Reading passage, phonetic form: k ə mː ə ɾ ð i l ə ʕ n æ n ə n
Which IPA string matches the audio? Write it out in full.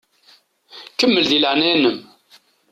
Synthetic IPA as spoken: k ə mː ə l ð i l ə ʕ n æ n ə m